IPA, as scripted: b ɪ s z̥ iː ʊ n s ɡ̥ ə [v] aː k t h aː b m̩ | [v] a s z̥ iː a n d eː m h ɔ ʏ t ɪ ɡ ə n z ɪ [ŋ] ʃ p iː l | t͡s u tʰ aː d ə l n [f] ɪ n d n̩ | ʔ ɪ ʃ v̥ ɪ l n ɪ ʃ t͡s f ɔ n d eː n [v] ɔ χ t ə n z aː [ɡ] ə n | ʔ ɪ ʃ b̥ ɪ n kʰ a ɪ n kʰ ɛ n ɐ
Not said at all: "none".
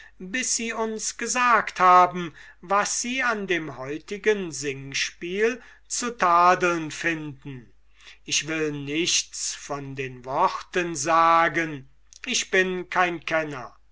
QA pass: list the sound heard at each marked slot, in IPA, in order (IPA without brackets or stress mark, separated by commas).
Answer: z, v, ŋ, f, v, ɡ